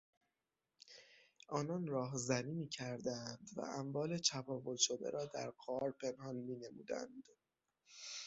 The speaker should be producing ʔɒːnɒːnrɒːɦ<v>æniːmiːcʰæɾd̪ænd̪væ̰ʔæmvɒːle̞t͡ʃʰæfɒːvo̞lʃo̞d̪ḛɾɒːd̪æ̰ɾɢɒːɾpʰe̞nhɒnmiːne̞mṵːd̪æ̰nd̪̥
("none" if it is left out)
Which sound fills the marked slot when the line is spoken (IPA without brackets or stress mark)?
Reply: z